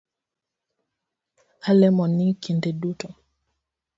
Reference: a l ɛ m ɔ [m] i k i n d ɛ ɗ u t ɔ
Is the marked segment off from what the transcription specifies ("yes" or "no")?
yes